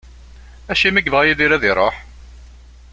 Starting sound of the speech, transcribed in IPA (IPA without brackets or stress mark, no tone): æ